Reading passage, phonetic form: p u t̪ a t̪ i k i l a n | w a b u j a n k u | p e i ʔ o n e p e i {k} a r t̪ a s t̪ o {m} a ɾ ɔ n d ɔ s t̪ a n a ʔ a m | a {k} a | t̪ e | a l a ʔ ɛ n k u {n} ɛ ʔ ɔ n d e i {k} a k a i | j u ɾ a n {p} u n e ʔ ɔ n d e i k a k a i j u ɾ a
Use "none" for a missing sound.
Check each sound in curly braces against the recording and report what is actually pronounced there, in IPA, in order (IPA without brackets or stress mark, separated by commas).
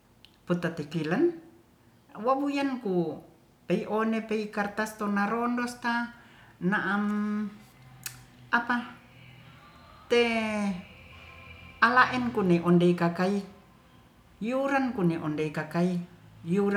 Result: k, n, p, n, k, k